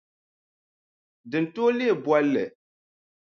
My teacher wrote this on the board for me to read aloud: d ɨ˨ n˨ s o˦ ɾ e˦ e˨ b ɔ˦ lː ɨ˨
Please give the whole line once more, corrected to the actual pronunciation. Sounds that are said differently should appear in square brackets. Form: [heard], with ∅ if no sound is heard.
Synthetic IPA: d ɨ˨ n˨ [t] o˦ [l] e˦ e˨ b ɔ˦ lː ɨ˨